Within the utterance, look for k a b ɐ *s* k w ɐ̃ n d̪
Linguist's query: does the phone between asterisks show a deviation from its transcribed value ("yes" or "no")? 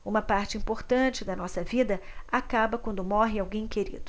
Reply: yes